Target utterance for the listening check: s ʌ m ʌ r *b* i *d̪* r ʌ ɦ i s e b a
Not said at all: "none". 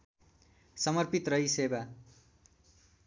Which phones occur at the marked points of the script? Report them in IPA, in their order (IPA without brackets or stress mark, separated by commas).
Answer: p, t̪